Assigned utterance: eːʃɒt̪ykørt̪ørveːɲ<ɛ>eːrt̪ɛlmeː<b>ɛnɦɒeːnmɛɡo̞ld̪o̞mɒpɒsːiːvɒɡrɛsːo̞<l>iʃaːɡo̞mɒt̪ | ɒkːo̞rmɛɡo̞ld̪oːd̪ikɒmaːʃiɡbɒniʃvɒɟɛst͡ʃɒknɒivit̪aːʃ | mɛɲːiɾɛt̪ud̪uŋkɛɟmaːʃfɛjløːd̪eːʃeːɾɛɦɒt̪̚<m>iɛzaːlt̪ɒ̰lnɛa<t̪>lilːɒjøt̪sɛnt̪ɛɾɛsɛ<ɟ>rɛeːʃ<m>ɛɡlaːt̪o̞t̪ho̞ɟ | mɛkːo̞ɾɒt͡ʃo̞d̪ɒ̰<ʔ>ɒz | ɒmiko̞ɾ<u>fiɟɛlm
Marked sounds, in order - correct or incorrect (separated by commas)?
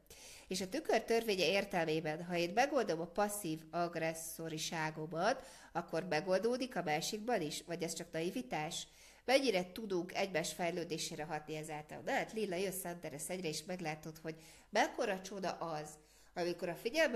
correct, correct, incorrect, incorrect, correct, correct, correct, correct, incorrect